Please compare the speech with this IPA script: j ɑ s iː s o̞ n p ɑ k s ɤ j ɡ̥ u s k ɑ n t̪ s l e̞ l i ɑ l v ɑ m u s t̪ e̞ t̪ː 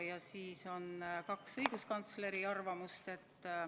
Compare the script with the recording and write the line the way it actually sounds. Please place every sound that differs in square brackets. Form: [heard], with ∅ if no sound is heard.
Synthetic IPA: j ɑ s iː s o̞ n [k] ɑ k s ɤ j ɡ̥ u s k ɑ n t̪ s l e̞ [ɾ] i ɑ [r] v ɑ m u s t̪ e̞ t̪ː